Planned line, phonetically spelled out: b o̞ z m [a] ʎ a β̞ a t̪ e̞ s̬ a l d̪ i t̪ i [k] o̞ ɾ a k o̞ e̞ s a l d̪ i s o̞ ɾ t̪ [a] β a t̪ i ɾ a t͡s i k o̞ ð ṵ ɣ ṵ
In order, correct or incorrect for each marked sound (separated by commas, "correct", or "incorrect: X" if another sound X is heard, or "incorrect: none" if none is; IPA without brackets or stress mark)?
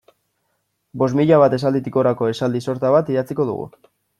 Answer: incorrect: i, correct, correct